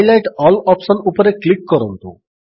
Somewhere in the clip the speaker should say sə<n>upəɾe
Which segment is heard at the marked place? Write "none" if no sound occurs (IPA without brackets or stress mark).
n